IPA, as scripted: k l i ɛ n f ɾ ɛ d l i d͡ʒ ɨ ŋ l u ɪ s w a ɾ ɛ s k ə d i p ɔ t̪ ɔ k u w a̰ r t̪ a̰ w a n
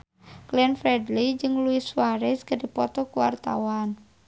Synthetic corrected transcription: k l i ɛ n f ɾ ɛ d l i d͡ʒ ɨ ŋ l u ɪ s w a ɾ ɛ s k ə d i p ɔ t̪ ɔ k u w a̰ r t̪ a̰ w a n